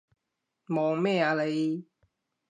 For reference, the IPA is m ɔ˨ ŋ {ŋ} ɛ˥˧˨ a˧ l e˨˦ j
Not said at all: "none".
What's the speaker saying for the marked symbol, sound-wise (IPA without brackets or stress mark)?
m